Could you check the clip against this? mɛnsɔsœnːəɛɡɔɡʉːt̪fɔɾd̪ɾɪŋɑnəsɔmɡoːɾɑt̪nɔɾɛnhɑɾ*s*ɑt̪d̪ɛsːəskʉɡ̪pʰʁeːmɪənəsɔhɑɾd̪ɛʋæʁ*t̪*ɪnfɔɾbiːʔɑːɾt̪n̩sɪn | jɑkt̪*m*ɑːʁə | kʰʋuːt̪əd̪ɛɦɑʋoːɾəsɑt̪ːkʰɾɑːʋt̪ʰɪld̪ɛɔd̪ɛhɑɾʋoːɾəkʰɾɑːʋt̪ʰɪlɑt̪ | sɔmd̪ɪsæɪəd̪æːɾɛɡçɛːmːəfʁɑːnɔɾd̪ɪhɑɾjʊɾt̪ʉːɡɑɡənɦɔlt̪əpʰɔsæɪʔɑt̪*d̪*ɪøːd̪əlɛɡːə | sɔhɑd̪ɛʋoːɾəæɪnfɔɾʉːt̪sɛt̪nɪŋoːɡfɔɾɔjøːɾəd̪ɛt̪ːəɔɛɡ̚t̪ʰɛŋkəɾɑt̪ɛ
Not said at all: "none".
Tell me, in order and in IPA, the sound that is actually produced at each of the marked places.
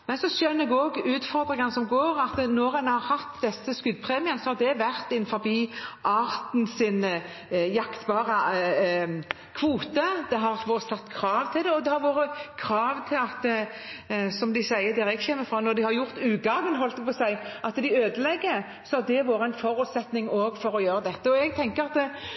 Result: h, t̪, b, d̪

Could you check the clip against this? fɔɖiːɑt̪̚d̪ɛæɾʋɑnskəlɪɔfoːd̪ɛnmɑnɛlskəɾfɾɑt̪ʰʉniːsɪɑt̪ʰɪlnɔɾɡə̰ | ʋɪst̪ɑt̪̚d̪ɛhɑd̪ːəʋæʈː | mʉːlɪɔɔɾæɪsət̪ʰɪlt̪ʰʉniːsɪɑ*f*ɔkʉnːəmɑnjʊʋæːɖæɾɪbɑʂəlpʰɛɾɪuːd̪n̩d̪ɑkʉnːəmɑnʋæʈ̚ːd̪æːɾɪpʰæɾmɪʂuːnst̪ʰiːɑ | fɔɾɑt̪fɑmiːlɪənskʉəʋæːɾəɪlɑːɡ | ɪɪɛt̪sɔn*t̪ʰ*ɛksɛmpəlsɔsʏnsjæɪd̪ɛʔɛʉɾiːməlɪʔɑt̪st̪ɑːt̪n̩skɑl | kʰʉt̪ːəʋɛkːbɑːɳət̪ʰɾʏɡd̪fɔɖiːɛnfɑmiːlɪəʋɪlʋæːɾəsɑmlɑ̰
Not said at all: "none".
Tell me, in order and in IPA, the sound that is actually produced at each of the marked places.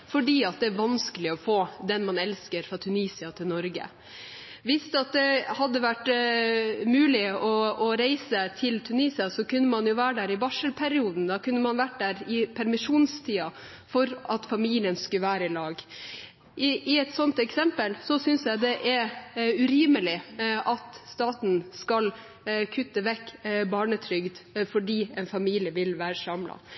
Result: s, t̪

